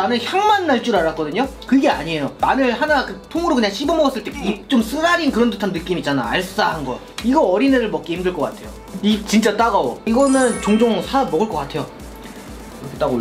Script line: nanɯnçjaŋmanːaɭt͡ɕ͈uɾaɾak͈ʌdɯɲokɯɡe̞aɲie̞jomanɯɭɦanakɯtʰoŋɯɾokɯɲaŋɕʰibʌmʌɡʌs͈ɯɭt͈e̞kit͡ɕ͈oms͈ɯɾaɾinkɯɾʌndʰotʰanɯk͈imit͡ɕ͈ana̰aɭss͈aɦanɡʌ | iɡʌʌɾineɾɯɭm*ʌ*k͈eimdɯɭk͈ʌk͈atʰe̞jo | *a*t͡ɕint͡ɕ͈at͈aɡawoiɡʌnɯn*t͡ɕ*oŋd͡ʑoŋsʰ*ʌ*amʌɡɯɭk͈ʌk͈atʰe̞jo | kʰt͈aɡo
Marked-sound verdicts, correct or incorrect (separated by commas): correct, incorrect, correct, incorrect